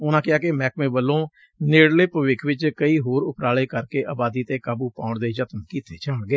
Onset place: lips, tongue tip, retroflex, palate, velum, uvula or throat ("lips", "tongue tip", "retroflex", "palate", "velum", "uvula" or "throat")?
tongue tip